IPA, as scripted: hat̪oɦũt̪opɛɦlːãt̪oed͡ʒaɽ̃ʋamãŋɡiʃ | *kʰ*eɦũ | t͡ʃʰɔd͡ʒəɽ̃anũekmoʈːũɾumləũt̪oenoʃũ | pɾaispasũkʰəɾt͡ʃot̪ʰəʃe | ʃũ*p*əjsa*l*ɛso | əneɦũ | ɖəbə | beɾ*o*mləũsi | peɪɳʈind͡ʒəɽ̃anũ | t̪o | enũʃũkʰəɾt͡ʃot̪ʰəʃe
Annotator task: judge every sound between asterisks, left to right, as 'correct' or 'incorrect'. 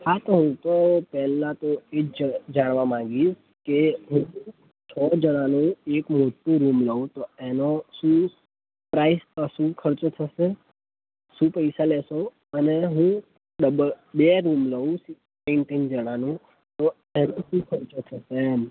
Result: incorrect, correct, correct, incorrect

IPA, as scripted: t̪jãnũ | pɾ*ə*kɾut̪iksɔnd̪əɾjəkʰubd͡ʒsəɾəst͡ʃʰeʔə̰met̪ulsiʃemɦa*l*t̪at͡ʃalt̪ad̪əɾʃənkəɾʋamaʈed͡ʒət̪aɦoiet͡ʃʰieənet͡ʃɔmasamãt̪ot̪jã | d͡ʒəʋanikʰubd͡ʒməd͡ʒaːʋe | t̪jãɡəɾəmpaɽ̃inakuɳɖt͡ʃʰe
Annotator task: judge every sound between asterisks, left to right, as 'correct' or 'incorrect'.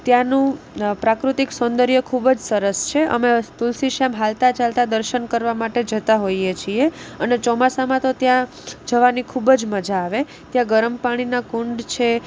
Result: incorrect, correct

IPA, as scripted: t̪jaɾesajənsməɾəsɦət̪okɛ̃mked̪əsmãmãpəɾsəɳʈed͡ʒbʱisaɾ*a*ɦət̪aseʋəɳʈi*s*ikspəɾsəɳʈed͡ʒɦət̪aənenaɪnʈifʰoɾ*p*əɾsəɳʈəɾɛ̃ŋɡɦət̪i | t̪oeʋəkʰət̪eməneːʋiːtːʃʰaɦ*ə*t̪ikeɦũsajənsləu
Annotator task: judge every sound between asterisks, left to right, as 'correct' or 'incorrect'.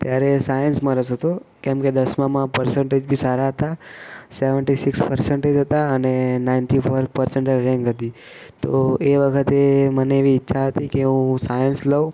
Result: correct, correct, correct, correct

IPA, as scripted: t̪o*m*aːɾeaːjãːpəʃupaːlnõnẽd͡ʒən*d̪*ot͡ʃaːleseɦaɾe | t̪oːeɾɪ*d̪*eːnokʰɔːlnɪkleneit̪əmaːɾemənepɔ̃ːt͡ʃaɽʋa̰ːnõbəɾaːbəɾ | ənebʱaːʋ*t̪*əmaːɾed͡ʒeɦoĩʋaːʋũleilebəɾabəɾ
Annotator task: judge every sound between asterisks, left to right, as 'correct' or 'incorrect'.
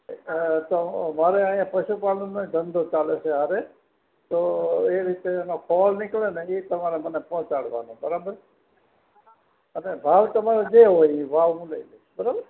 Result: correct, correct, incorrect, correct

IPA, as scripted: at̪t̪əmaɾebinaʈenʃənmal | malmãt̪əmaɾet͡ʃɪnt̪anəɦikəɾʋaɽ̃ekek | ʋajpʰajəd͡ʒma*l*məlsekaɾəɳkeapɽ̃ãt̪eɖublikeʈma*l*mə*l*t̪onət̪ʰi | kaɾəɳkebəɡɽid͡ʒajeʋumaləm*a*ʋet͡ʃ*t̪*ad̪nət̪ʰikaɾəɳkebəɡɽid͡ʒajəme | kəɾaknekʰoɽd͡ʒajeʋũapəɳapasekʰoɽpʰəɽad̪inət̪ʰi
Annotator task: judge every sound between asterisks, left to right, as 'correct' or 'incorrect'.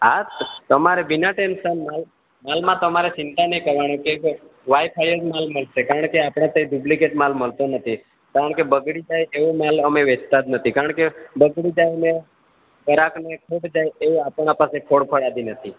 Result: correct, correct, correct, incorrect, correct

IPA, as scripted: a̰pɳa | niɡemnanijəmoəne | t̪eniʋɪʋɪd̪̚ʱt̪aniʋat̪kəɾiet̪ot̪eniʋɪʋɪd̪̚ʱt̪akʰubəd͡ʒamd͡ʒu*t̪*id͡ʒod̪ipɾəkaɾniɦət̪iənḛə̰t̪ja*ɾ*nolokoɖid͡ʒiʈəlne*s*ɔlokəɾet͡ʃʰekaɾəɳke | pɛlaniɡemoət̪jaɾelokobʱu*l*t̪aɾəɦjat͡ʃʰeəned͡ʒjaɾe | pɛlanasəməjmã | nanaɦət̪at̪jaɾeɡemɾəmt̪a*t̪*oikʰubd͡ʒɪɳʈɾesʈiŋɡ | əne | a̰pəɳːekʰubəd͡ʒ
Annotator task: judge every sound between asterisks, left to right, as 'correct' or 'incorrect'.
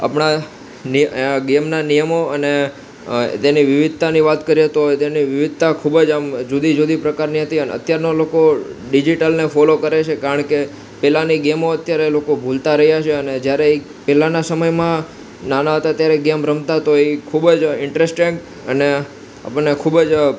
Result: incorrect, correct, incorrect, correct, correct

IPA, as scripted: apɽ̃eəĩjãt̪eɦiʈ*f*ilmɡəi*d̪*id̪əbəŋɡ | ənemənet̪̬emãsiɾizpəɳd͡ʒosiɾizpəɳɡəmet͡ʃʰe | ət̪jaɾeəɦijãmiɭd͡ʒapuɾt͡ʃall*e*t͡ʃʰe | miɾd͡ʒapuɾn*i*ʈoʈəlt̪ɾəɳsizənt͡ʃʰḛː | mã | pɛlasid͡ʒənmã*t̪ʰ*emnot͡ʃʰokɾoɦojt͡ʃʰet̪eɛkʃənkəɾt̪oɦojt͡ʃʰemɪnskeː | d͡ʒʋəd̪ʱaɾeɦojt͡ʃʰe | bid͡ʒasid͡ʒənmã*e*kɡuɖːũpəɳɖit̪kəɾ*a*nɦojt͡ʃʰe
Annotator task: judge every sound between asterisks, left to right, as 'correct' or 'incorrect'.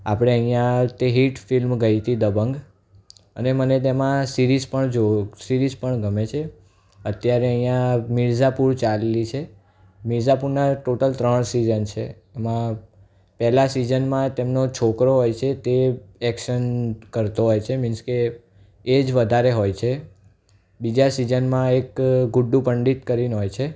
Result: correct, incorrect, incorrect, incorrect, incorrect, correct, incorrect

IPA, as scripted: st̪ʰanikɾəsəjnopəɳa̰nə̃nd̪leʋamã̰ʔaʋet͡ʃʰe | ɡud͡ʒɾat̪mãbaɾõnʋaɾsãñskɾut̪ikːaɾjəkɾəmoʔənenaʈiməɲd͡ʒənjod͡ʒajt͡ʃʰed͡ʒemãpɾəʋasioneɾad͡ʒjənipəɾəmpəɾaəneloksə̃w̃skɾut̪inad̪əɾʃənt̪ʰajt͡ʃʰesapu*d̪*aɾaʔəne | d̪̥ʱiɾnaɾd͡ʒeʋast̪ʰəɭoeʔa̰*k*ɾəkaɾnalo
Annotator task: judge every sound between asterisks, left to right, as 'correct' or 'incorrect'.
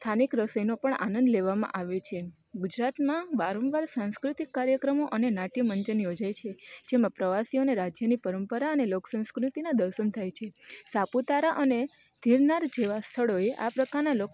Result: incorrect, incorrect

